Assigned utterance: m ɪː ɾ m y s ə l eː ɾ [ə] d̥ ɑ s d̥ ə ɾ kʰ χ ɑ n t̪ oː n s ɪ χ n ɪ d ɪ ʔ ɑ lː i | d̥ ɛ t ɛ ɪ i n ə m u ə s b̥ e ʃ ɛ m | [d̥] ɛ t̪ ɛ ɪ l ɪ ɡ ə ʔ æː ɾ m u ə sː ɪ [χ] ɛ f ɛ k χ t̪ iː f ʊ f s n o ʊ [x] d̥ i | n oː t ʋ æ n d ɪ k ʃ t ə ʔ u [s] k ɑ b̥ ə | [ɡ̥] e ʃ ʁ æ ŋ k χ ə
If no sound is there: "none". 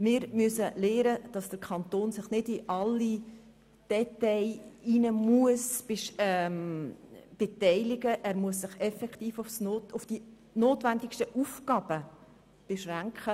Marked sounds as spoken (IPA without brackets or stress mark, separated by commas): ə, b̥, χ, f, f, b̥